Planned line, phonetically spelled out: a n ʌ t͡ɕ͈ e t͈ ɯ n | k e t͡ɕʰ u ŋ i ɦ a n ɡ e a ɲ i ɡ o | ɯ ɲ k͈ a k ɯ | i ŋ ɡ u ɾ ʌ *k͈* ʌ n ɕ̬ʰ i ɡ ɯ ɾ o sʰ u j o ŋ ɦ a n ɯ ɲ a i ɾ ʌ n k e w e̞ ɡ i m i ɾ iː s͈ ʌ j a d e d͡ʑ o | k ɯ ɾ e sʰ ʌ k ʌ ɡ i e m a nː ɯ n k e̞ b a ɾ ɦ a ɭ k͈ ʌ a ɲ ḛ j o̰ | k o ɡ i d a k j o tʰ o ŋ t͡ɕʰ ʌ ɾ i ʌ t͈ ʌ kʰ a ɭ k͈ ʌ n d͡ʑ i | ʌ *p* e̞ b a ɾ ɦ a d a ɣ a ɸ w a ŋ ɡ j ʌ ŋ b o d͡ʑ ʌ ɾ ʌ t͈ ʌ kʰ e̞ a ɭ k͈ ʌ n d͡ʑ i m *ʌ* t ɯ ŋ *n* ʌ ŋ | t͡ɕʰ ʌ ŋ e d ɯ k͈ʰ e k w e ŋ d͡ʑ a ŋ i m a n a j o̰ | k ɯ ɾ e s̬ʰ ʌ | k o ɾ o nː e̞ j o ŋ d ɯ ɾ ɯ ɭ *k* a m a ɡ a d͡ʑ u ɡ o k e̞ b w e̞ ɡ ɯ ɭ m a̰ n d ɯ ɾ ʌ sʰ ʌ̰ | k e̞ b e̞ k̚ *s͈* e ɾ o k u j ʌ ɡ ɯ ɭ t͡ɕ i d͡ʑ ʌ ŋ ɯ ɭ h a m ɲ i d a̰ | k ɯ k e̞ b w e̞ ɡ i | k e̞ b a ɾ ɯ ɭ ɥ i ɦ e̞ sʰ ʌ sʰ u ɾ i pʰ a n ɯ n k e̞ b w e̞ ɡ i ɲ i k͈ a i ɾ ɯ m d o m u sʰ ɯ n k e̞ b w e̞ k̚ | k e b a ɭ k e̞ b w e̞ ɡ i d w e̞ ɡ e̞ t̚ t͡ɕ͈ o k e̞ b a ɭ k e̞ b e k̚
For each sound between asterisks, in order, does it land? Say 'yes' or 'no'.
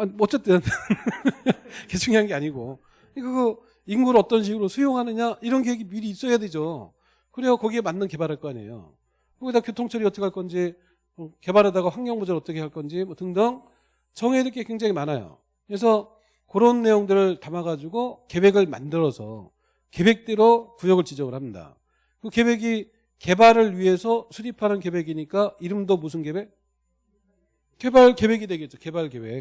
no, no, yes, no, no, no

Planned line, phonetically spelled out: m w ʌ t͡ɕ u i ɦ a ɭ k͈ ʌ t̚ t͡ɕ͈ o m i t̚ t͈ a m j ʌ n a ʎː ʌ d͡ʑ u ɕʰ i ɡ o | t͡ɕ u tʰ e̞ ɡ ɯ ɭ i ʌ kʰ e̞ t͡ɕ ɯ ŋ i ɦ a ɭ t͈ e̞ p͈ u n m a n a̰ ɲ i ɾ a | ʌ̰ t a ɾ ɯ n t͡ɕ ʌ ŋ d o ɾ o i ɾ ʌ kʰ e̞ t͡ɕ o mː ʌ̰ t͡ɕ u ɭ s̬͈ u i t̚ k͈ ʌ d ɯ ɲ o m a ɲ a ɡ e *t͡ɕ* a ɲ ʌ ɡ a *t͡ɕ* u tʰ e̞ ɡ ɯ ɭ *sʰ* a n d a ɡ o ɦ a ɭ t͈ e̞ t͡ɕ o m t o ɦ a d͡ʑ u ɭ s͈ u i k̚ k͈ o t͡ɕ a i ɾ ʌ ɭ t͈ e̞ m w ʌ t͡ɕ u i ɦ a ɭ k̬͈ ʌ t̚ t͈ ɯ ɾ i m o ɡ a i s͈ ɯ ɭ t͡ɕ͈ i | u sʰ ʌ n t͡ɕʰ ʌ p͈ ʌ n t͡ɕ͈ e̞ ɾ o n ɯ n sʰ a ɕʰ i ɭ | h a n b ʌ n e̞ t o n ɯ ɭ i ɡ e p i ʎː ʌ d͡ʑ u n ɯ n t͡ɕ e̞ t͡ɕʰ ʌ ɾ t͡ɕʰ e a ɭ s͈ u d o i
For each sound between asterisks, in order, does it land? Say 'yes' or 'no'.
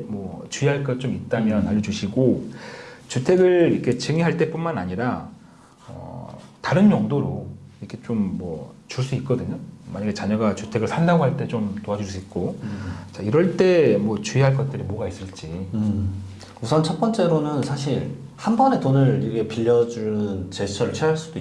yes, yes, yes

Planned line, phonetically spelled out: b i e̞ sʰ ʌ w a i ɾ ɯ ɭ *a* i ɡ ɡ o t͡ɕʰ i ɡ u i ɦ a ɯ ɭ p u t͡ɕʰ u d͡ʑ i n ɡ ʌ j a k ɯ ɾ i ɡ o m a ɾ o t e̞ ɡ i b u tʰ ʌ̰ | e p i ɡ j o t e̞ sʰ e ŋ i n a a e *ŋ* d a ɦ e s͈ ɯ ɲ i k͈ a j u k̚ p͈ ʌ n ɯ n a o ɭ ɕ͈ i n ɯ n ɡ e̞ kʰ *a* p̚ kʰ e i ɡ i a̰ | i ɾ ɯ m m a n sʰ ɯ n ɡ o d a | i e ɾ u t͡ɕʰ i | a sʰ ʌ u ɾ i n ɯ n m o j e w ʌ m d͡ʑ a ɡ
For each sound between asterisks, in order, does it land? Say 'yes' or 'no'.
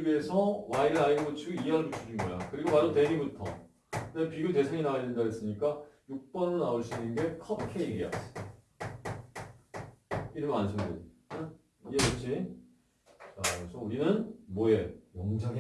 yes, no, no

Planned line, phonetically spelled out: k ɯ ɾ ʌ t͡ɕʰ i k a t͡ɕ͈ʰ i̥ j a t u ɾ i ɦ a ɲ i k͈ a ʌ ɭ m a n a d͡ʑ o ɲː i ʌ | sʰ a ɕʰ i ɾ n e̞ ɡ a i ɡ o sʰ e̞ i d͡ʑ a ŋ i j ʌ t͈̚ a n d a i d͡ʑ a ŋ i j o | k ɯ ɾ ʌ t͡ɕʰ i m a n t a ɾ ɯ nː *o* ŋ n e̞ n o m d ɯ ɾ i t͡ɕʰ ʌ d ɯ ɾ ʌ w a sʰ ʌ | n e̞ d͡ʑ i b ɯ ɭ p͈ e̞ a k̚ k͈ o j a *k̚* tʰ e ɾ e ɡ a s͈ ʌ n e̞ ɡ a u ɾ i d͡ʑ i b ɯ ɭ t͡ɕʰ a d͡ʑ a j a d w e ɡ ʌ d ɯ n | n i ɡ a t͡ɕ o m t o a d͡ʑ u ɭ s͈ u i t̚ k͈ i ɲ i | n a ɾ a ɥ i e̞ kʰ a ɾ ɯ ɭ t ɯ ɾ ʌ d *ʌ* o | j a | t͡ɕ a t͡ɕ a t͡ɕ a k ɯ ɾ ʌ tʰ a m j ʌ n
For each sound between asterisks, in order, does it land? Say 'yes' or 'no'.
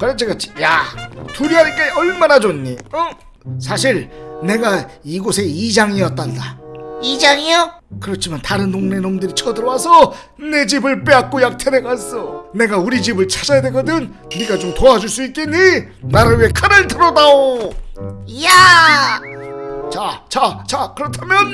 yes, yes, no

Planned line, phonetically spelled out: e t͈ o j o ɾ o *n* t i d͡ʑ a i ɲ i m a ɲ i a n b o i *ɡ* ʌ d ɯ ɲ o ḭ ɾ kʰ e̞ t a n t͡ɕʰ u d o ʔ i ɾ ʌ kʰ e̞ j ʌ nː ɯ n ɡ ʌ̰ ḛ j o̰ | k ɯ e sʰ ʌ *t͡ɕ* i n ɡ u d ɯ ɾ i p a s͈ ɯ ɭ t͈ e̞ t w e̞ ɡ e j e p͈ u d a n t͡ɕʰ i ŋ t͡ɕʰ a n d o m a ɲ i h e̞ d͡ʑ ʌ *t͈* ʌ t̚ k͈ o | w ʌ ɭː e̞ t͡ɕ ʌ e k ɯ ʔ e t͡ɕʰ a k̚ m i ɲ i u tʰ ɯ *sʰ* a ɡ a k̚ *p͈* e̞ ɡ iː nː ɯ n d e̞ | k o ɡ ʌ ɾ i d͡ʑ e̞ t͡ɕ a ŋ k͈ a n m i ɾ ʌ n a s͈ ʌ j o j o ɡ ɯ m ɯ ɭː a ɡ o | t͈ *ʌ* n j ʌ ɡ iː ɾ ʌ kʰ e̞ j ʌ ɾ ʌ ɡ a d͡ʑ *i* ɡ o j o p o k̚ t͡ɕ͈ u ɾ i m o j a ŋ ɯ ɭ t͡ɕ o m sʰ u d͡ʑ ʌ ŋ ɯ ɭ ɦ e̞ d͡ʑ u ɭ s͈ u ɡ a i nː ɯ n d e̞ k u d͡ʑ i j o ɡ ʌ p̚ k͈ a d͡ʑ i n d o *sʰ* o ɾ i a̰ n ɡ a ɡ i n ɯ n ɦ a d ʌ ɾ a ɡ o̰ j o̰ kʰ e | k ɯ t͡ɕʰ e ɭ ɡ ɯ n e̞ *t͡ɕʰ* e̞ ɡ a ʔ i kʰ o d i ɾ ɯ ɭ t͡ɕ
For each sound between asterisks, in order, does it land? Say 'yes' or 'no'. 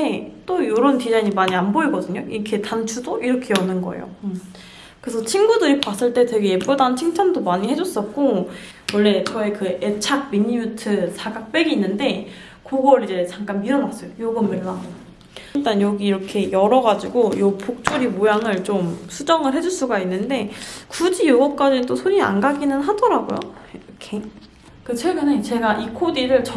yes, yes, no, no, yes, yes, no, yes, yes, no

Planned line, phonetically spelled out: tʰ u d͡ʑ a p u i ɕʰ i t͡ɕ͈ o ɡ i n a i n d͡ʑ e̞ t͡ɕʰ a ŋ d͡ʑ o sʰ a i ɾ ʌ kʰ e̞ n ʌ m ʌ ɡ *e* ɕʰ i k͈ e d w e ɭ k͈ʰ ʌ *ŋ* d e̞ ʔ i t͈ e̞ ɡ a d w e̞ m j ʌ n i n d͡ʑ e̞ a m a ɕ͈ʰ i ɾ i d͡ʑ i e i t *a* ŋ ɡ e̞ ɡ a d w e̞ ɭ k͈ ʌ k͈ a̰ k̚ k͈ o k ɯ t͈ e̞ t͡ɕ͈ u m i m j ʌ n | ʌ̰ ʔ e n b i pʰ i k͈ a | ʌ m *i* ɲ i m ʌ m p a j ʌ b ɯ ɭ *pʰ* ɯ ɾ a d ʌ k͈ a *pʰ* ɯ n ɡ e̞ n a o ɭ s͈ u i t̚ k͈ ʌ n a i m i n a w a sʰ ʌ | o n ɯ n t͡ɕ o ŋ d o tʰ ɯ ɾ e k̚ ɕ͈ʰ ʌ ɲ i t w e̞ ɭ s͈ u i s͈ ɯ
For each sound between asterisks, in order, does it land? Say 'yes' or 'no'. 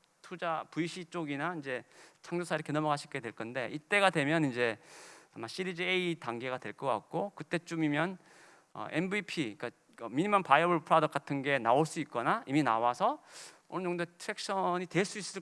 no, no, yes, yes, yes, no

